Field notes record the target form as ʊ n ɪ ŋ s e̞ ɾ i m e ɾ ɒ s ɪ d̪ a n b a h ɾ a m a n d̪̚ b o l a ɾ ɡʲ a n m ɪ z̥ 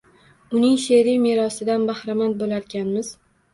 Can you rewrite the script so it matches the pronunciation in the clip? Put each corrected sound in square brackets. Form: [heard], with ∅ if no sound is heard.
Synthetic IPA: ʊ n ɪ ŋ [ʃ] e̞ ɾ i m e ɾ ɒ s ɪ d̪ a n b a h ɾ a m a n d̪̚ b o l a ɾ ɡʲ a n m ɪ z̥